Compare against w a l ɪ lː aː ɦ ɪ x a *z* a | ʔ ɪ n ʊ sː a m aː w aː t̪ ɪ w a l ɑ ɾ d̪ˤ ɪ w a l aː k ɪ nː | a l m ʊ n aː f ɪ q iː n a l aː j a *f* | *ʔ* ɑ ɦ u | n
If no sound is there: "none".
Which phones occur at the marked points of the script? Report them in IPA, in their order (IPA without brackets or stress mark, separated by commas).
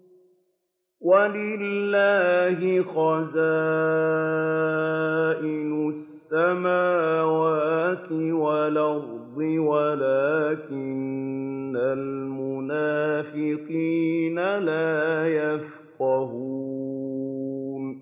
z, f, q